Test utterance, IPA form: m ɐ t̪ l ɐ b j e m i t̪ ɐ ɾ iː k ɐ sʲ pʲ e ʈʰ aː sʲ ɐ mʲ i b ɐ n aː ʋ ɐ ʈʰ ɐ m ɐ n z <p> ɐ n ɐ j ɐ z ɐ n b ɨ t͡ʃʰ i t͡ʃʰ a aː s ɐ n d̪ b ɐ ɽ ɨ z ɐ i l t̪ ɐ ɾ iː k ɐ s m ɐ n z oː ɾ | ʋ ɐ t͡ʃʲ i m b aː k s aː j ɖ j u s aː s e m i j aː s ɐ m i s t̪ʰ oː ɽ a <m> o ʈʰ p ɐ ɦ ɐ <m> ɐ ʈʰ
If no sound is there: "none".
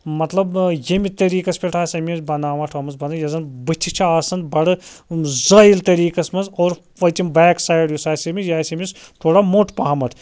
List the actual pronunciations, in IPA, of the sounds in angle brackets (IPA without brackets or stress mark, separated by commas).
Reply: b, m, m